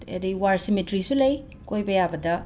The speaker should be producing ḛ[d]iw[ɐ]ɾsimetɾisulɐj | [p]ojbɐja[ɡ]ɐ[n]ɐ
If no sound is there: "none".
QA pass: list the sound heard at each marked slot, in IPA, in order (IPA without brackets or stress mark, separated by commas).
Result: d, a, k, b, d